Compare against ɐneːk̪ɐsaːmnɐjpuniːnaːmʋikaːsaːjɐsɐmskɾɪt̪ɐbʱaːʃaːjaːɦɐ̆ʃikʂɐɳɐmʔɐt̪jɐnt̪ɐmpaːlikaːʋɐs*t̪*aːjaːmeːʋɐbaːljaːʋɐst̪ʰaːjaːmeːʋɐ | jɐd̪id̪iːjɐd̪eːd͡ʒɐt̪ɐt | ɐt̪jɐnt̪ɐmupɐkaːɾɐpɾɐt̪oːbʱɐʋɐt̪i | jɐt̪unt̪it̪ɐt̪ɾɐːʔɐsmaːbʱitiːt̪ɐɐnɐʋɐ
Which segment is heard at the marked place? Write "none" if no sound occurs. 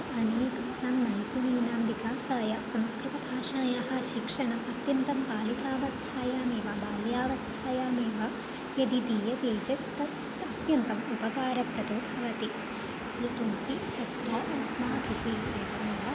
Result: t̪ʰ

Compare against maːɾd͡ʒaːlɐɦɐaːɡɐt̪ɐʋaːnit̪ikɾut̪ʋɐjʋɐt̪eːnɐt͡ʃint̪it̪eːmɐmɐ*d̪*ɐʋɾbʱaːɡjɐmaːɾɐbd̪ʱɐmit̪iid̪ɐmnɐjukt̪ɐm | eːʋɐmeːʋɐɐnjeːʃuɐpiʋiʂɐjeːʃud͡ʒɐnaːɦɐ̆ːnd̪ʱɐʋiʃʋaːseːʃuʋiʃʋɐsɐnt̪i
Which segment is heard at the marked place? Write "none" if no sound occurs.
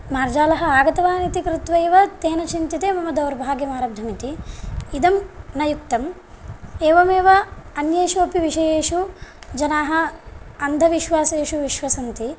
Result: d̪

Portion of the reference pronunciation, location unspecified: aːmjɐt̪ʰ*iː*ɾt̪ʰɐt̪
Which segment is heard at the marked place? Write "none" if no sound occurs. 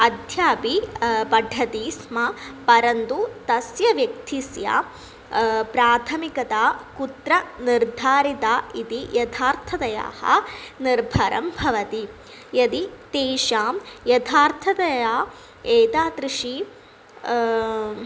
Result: aː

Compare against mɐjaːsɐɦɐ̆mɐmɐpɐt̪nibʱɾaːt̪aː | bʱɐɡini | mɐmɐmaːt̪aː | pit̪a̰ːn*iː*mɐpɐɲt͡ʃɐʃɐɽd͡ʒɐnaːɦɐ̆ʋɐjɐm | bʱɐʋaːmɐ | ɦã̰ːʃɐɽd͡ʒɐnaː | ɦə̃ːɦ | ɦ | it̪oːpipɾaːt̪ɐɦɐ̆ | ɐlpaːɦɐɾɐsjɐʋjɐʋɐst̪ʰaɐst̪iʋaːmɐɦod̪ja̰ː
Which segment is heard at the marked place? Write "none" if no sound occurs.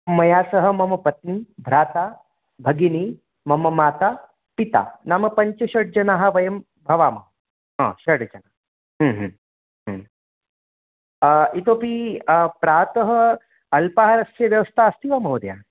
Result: aː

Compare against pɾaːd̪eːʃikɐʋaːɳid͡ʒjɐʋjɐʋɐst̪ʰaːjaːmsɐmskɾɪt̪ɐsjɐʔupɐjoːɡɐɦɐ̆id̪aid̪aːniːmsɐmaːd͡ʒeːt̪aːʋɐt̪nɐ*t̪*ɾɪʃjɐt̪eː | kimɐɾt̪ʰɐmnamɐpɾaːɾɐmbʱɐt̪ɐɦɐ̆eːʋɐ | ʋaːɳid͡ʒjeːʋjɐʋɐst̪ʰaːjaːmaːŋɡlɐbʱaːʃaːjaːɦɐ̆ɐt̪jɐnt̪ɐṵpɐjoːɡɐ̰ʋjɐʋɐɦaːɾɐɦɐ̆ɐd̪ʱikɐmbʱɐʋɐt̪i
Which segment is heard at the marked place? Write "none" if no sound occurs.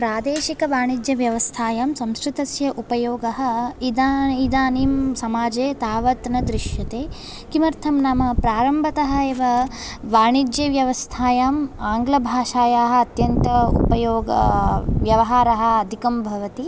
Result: d̪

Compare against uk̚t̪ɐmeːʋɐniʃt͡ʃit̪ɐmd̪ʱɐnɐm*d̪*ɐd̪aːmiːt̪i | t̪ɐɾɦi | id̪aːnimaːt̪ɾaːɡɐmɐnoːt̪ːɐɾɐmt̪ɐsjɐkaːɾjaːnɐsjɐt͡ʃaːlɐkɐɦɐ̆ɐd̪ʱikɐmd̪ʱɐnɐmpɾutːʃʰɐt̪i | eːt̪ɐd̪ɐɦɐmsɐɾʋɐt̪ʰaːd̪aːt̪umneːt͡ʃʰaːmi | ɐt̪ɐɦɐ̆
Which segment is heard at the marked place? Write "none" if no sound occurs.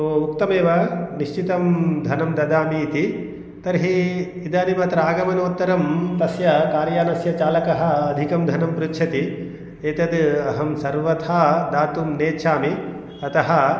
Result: d̪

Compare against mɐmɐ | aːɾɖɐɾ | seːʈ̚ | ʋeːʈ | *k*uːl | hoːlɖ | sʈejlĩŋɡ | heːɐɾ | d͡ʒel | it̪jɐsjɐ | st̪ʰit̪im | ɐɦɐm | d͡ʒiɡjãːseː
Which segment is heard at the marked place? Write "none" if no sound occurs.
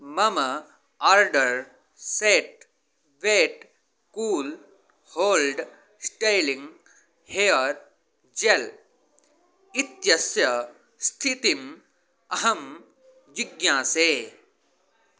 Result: k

